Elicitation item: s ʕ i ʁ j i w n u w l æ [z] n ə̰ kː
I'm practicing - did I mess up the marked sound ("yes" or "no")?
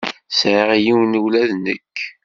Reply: yes